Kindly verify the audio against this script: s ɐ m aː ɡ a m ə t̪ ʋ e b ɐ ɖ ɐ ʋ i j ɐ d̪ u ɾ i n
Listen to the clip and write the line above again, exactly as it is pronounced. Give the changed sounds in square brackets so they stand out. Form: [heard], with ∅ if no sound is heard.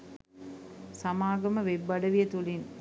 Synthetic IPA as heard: s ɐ m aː ɡ [ɐ] m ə [∅] ʋ e [bː] ɐ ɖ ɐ ʋ i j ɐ [t̪] u [l] i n